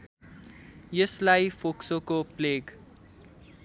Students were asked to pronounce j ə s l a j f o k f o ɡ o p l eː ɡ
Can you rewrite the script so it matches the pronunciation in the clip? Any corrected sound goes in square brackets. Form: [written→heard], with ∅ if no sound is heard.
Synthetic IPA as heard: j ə s l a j f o k [f→s] o [ɡ→k] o p l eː ɡ